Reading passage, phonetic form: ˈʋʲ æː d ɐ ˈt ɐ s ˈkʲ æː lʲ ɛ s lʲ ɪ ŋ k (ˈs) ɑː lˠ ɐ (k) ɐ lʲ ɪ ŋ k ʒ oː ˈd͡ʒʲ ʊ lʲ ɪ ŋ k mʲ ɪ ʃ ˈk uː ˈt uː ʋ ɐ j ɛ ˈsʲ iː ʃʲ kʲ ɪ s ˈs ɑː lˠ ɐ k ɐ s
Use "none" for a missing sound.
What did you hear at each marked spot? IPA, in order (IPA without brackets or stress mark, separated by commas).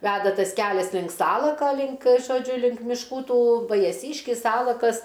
s, k